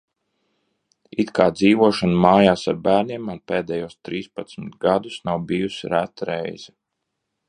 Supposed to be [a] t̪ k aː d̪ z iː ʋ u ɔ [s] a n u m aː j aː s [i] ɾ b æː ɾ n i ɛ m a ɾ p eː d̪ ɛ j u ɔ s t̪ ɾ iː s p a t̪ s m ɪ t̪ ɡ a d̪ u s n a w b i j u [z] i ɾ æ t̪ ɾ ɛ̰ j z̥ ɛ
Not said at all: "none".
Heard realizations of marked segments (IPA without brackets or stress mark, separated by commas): i, ʃ, a, s